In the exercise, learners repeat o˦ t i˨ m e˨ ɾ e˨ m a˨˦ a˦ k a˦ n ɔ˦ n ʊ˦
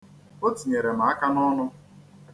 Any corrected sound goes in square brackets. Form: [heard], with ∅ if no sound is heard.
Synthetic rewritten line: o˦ t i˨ [ɲ] e˨ ɾ e˨ m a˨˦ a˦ k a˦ n ɔ˦ n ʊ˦

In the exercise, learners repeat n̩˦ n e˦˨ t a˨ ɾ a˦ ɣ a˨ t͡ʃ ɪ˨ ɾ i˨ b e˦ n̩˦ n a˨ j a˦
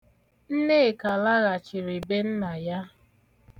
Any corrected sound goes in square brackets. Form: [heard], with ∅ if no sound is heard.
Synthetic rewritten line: n̩˦ n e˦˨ [k] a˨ [l] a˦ ɣ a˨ t͡ʃ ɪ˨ ɾ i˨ b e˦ n̩˦ n a˨ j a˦

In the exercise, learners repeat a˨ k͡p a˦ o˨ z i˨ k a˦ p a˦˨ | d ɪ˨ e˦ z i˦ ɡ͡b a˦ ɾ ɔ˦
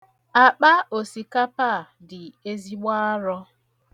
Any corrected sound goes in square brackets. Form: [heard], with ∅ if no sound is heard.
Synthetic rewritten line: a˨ k͡p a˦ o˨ [s] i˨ k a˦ p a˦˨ | d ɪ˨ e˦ z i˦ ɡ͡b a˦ ɾ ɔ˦

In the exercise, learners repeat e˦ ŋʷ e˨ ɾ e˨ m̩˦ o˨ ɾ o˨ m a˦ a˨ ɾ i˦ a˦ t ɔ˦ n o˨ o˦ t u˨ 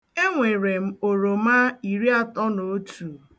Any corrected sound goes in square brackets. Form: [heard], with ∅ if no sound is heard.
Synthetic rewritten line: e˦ ŋʷ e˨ ɾ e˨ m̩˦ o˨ ɾ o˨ m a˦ [i˨] ɾ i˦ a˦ t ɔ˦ n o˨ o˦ t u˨

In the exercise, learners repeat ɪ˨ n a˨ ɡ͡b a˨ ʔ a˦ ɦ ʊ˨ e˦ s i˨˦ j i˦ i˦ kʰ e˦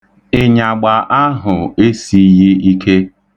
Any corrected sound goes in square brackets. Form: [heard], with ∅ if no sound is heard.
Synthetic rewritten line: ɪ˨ [ɲ] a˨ ɡ͡b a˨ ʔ a˦ ɦ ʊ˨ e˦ s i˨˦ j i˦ i˦ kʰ e˦

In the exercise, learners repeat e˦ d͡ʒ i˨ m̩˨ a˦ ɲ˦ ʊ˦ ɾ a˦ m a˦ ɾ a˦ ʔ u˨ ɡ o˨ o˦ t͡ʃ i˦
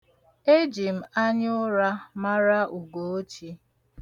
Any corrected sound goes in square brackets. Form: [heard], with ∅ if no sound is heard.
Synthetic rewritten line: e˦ d͡ʒ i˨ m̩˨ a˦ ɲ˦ ʊ˦ ɾ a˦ m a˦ ɾ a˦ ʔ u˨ ɡ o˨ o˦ t͡ʃ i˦

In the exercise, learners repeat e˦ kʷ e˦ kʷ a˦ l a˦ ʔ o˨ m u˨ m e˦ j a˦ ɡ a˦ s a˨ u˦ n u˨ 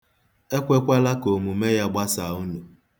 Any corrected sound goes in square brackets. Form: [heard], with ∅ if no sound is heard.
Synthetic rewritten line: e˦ kʷ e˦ kʷ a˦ l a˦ [k] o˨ m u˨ m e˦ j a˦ [ɡ͡b] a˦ s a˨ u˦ n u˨

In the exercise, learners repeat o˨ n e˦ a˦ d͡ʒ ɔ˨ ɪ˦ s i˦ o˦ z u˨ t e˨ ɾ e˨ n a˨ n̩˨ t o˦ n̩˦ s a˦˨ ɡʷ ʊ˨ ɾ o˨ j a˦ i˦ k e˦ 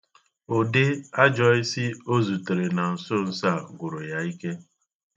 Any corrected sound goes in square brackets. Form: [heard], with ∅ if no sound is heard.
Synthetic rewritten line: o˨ [d] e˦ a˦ d͡ʒ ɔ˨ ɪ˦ s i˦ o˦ z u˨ t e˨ ɾ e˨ n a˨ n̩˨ [s] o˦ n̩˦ s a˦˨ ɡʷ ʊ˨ ɾ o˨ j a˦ i˦ k e˦

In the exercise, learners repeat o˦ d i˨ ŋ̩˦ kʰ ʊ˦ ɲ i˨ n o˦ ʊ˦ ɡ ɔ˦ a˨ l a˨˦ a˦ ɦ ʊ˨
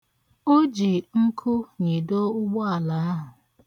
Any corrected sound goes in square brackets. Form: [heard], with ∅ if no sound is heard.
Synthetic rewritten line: o˦ [d͡ʒ] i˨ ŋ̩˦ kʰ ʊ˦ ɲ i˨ [d] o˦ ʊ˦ [ɡ͡b] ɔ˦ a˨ l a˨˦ a˦ ɦ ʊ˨

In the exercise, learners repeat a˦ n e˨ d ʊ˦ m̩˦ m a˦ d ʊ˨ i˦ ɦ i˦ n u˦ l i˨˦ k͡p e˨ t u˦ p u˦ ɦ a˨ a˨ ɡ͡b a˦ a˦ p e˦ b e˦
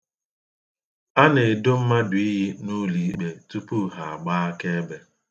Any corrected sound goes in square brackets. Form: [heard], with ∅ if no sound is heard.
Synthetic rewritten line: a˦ n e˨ d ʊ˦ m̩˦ m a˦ d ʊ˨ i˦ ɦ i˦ n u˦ l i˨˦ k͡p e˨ t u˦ p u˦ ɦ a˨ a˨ ɡ͡b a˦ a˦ [k] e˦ b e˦

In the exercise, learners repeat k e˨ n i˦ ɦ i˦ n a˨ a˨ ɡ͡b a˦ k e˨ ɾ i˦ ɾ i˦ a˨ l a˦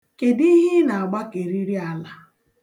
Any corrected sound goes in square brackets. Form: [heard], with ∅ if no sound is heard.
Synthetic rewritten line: k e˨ [d] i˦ ɦ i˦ n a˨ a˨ ɡ͡b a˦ k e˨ ɾ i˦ ɾ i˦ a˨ l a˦

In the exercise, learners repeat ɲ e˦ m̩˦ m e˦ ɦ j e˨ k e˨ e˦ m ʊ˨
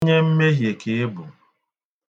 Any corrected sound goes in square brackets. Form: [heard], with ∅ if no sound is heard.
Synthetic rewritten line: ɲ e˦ m̩˦ m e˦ ɦ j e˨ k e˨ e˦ [b] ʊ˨

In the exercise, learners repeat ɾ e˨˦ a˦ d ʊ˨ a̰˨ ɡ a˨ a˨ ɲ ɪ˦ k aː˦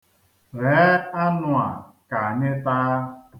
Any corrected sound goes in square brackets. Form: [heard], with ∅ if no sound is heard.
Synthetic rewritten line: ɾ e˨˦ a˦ [n] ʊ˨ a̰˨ [k] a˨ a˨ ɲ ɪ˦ [t] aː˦

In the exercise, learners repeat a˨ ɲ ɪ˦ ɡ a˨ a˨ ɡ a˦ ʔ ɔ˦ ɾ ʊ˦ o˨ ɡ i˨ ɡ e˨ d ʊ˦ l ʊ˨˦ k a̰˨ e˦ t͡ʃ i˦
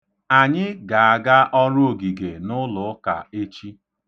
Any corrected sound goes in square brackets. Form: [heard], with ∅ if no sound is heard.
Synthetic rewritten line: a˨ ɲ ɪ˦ ɡ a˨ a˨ ɡ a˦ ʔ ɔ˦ ɾ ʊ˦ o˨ ɡ i˨ ɡ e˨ [n] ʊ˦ l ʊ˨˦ k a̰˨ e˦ t͡ʃ i˦

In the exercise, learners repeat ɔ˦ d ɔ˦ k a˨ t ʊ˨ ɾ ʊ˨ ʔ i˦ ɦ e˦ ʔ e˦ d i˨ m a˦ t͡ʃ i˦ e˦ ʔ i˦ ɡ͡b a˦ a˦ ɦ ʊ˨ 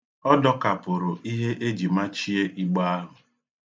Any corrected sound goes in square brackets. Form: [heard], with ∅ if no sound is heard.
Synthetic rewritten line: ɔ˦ d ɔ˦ k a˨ [p] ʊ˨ ɾ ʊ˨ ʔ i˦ ɦ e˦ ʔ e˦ [d͡ʒ] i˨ m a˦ t͡ʃ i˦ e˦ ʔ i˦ ɡ͡b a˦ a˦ ɦ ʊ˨

